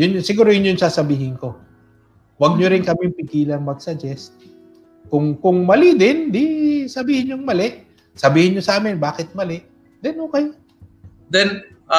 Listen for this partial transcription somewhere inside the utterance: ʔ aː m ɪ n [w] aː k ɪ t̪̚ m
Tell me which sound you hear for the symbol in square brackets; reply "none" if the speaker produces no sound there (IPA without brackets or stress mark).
b